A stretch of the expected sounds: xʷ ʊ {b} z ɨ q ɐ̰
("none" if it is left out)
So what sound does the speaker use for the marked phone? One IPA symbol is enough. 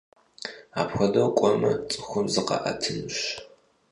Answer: m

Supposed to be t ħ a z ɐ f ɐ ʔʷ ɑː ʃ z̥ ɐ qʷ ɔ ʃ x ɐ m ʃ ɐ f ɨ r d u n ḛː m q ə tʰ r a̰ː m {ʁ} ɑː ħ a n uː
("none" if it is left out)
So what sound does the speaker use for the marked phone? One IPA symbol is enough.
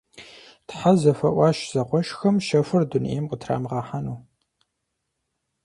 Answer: ʁ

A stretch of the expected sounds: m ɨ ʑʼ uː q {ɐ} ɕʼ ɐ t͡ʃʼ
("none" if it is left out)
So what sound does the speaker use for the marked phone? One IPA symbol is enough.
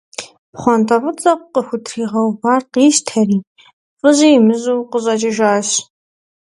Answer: ə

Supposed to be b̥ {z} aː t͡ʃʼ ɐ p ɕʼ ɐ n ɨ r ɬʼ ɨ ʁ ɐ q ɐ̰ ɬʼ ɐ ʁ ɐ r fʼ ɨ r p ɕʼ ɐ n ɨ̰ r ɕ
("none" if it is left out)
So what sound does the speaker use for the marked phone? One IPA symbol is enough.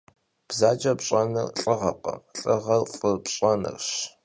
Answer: z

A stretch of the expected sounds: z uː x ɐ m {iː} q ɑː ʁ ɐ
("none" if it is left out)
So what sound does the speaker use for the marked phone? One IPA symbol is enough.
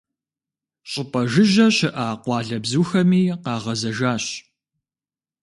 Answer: iː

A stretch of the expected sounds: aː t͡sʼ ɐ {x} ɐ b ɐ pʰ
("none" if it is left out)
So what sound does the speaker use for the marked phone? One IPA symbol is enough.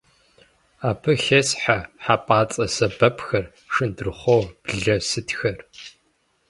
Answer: s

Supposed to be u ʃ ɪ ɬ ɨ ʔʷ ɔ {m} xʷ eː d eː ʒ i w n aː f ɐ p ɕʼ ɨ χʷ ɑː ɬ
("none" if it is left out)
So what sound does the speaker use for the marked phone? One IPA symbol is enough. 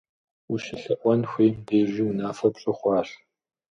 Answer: n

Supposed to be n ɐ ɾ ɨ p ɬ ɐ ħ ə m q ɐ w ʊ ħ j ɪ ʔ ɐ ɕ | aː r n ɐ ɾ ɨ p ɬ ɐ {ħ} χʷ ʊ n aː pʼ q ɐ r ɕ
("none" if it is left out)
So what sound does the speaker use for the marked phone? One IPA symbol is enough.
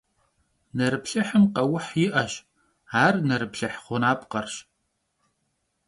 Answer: ħ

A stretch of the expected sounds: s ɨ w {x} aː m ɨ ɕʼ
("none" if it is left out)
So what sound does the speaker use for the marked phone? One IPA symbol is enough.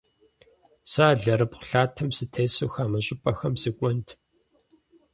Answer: x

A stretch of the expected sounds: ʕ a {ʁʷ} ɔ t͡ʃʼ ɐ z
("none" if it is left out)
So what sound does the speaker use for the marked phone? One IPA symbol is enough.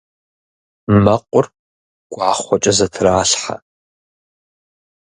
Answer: χʷ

